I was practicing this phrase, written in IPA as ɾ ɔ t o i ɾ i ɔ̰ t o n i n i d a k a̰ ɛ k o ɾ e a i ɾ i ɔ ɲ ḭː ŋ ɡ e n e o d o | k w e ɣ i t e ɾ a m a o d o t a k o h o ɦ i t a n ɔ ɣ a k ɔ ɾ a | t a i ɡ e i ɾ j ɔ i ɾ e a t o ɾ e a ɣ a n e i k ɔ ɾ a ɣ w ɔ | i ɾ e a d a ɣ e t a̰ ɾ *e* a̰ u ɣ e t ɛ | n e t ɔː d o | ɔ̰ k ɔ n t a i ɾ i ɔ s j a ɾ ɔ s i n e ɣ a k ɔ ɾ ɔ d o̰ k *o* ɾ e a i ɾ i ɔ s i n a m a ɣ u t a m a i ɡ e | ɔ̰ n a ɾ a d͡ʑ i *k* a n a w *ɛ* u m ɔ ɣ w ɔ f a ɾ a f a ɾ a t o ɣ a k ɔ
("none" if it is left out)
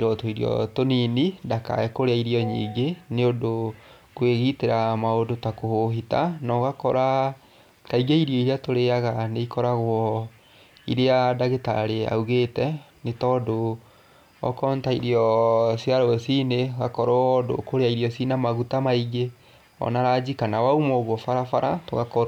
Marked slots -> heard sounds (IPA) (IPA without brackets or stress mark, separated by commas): e, o, k, a